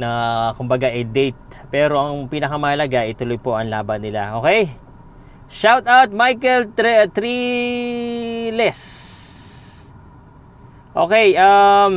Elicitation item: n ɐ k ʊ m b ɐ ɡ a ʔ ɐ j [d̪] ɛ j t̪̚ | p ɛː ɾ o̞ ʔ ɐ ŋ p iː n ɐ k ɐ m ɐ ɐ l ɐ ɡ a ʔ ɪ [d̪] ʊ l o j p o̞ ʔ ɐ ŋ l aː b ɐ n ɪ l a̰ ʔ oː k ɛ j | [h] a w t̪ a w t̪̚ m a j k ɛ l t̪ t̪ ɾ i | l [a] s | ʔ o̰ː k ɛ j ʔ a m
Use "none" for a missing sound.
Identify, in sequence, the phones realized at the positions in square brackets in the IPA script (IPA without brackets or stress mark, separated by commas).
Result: d̪, t̪, ʃ, ɛ